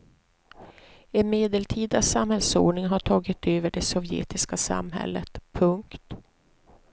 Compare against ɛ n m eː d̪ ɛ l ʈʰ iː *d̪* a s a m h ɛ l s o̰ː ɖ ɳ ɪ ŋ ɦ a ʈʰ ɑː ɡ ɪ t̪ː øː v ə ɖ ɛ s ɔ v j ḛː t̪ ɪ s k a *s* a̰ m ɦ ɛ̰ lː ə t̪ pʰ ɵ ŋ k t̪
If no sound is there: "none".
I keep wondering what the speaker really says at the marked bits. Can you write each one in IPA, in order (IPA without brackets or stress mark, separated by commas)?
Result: d̪, s